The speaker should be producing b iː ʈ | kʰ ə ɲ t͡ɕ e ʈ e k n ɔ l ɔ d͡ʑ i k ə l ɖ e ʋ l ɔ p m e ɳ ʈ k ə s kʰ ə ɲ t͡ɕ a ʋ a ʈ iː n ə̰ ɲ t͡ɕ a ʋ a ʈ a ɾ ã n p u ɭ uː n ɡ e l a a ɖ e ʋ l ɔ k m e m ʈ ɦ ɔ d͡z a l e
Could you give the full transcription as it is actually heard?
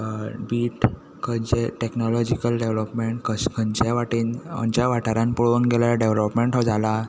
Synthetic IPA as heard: b iː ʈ | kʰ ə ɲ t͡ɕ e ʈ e k n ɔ l ɔ d͡ʑ i k ə l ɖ e ʋ l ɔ p m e ɳ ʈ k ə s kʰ ə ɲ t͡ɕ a ʋ a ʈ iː n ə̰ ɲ t͡ɕ a ʋ a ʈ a ɾ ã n p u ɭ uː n ɡ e l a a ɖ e ʋ l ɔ p m e ɳ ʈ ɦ ɔ d͡z a l a